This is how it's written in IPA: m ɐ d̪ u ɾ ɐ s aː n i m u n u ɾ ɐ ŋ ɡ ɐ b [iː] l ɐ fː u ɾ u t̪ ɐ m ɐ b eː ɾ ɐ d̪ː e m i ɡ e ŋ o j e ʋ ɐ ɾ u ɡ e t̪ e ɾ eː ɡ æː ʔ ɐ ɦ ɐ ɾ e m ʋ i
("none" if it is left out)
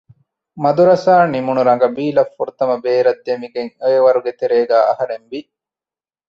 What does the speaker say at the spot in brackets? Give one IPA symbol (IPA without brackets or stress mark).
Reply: iː